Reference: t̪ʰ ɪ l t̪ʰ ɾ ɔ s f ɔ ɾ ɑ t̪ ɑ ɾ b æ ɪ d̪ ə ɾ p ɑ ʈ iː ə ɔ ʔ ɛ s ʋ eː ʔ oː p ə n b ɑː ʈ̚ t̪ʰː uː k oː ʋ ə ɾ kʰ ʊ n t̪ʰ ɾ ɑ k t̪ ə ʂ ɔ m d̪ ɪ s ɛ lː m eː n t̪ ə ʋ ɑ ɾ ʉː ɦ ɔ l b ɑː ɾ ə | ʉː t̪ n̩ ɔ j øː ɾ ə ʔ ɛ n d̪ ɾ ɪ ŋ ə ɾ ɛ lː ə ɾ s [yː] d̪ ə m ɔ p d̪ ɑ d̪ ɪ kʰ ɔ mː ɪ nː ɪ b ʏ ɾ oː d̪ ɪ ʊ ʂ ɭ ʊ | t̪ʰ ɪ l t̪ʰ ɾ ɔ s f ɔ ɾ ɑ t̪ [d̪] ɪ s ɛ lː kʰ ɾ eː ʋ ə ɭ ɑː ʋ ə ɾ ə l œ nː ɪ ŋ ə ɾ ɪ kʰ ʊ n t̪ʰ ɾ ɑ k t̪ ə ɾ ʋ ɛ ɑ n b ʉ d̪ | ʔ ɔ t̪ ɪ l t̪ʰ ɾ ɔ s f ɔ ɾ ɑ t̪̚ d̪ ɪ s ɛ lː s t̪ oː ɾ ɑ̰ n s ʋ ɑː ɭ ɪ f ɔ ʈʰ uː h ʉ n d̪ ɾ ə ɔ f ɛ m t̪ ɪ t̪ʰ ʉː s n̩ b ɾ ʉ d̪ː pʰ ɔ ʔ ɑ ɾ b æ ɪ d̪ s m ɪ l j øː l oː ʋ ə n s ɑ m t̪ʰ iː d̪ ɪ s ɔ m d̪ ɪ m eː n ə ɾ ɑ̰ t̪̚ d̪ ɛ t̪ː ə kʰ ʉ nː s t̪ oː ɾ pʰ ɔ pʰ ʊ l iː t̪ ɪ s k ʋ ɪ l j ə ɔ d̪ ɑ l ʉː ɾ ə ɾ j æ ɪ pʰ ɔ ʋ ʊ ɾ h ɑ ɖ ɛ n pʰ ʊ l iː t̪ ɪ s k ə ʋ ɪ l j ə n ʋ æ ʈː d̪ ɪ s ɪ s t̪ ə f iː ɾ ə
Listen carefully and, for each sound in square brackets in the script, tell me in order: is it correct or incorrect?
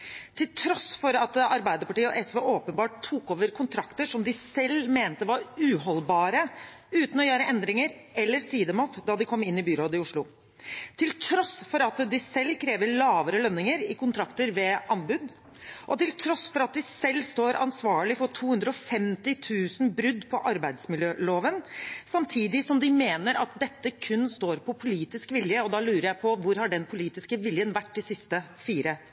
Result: incorrect, correct

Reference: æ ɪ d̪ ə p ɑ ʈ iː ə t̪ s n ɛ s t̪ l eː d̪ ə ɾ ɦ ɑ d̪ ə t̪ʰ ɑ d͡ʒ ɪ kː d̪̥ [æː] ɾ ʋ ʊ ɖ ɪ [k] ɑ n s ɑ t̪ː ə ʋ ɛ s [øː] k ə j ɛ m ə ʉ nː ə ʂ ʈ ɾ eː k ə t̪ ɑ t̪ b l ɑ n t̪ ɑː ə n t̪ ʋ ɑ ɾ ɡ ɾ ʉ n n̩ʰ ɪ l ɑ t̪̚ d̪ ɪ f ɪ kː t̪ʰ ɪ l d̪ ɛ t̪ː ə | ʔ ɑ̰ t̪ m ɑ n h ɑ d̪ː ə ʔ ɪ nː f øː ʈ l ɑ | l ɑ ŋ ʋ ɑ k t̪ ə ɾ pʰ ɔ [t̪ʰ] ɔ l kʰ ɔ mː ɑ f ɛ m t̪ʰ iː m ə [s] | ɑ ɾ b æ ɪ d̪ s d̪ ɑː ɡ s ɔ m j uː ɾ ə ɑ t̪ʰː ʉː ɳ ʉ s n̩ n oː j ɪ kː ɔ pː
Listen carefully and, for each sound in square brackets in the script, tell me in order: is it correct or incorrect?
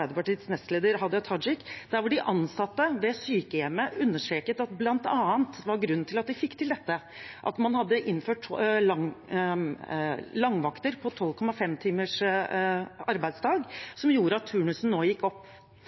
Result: incorrect, incorrect, incorrect, correct, incorrect

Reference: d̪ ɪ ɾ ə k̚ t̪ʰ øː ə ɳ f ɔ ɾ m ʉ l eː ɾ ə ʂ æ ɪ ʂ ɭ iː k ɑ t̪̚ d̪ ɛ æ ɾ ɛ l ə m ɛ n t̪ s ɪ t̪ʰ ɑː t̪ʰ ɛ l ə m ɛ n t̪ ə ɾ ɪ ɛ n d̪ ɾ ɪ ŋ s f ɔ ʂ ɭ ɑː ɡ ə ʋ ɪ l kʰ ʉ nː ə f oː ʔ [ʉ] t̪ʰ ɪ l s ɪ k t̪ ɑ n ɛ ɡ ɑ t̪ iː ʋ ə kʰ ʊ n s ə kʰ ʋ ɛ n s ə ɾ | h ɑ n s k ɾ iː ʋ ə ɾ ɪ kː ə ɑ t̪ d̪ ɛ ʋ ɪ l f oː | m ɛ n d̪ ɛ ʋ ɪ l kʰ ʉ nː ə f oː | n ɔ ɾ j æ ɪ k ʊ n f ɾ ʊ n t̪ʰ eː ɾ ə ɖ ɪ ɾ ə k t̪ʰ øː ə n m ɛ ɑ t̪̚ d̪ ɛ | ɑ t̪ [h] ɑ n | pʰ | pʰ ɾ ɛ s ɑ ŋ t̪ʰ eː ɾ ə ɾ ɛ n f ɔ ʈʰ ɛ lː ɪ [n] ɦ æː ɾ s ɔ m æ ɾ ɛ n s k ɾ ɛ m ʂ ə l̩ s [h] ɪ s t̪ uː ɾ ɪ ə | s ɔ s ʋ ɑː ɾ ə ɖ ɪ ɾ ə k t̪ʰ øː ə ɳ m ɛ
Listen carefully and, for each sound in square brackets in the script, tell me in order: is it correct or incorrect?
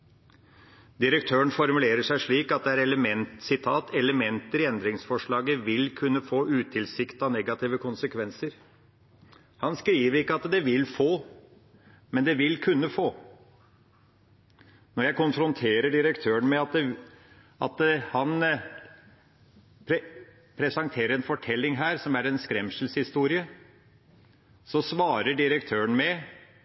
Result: incorrect, correct, incorrect, correct

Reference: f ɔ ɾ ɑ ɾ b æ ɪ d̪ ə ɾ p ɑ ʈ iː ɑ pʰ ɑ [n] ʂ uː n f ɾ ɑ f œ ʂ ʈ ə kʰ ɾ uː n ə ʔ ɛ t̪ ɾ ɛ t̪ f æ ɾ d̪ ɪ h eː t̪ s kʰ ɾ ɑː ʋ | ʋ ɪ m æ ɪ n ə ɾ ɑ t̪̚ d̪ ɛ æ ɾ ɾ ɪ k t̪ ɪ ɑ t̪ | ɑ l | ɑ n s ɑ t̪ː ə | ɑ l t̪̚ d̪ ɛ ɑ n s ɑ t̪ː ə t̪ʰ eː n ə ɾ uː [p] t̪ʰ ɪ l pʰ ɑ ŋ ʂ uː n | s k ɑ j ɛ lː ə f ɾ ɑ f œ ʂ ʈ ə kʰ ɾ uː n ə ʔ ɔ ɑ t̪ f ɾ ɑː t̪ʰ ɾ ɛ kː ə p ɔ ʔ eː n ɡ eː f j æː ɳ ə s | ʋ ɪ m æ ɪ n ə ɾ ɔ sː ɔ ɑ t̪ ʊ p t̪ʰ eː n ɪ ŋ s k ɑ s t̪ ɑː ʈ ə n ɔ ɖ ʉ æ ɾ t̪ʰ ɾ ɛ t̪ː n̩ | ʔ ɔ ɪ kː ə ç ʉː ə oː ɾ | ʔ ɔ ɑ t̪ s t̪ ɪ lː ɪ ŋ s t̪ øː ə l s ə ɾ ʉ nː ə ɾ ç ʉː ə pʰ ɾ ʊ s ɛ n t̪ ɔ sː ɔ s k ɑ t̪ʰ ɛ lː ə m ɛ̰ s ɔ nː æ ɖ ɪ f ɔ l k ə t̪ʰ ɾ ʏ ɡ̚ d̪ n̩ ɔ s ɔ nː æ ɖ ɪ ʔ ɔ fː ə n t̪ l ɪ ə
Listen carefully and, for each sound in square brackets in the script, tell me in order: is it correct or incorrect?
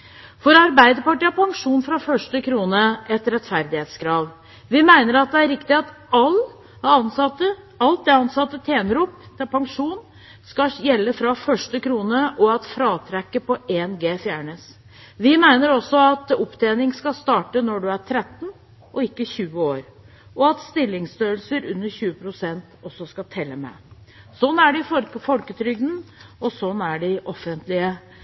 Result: incorrect, correct

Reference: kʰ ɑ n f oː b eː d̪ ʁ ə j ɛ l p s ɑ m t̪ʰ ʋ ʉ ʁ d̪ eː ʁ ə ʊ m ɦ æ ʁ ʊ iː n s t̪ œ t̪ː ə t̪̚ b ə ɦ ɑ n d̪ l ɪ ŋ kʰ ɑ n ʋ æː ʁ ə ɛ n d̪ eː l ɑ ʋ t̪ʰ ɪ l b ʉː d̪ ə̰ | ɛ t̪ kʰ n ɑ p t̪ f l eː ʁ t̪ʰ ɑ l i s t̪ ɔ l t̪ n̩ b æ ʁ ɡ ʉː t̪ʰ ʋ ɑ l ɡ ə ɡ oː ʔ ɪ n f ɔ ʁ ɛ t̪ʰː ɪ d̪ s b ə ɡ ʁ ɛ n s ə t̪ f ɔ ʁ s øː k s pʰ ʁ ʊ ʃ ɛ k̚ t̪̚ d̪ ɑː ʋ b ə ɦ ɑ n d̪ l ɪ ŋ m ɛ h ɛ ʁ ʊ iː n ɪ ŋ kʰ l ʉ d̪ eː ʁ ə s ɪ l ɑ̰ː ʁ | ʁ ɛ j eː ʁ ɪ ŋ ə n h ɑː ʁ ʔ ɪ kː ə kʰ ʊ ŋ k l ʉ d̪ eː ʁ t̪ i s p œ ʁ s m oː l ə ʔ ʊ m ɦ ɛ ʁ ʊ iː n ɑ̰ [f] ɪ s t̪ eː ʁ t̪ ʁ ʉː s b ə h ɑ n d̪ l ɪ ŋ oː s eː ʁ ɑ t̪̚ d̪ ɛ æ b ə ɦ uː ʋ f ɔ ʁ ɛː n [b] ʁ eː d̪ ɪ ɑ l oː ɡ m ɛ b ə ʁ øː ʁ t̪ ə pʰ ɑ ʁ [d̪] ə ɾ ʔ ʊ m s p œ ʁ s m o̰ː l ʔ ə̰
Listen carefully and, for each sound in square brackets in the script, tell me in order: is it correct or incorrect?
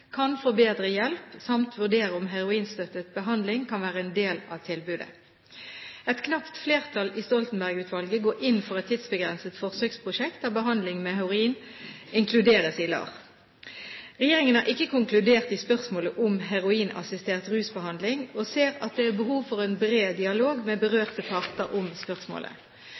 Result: incorrect, correct, incorrect

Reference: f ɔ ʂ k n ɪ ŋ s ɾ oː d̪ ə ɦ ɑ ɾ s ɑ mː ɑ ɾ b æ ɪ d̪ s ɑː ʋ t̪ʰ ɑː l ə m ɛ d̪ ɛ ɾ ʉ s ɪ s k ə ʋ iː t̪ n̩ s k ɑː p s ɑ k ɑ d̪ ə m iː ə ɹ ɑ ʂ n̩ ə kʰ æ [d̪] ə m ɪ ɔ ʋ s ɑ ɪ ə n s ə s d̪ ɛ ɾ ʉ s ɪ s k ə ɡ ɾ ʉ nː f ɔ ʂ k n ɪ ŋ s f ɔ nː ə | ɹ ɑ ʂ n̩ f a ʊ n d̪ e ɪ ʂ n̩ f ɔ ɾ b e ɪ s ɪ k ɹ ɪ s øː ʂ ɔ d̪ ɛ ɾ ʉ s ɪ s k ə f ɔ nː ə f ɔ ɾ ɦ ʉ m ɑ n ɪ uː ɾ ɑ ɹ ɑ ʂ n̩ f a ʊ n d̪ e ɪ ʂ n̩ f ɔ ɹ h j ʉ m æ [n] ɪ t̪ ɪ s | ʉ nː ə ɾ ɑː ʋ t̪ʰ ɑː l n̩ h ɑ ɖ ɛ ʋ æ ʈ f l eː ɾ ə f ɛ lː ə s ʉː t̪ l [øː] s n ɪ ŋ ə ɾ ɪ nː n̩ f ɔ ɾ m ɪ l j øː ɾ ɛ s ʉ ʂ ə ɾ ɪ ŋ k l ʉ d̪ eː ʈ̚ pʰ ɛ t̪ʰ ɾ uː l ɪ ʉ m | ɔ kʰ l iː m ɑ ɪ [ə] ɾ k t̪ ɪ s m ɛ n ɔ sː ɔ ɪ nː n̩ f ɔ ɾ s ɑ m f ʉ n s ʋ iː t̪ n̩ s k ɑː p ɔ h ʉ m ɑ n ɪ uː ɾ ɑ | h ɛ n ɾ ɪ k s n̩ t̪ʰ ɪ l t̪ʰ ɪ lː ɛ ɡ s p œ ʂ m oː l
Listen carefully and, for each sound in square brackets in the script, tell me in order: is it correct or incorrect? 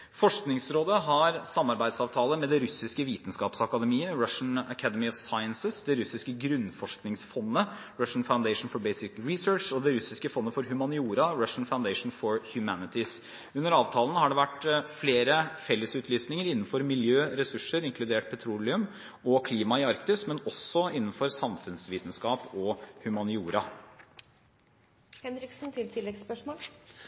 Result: correct, correct, incorrect, incorrect

